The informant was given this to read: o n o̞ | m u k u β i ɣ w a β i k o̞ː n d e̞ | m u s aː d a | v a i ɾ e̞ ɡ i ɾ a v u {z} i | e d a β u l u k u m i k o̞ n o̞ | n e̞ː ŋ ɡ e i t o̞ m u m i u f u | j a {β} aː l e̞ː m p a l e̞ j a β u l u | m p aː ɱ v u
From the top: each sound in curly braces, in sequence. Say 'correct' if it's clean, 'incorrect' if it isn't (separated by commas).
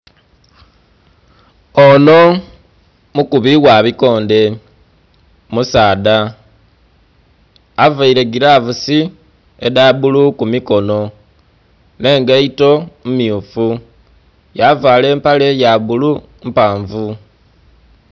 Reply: incorrect, incorrect